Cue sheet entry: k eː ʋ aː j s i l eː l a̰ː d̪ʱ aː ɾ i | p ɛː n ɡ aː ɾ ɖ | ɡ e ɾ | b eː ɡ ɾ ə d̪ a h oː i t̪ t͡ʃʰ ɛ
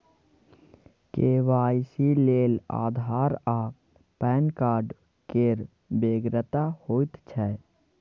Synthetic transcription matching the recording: k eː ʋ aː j s i l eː l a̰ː d̪ʱ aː ɾ a | p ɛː n k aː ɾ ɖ | k e ɾ | b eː ɡ ɾ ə t̪ a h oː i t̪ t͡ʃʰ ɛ